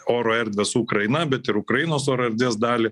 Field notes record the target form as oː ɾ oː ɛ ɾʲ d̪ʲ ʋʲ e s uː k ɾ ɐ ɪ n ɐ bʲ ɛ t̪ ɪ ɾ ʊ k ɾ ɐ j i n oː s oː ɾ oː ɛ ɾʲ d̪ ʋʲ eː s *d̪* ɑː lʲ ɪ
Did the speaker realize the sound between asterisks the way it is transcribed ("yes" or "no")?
yes